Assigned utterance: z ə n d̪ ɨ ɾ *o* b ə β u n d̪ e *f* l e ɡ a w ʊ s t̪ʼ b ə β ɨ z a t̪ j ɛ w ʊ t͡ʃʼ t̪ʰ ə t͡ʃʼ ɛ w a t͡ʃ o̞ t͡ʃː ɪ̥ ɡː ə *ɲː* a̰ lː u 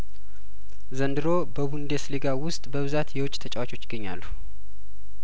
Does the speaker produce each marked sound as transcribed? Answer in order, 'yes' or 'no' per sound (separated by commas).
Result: yes, no, yes